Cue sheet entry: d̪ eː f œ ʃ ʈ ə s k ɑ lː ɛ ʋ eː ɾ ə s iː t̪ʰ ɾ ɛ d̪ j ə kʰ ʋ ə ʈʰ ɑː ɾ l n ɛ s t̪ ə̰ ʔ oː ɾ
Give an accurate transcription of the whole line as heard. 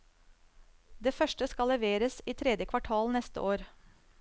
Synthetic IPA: d̪ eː f œ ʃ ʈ ə s k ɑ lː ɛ ʋ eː ɾ ə s iː t̪ʰ ɾ ɛ d̪ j ə kʰ ʋ ɑ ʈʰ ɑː l n ɛ s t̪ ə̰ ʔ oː ɾ